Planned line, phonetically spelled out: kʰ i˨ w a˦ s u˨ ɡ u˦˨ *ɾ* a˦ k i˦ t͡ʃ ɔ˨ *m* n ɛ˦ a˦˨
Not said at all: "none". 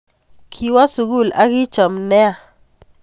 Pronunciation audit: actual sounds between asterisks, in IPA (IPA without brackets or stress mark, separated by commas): l, m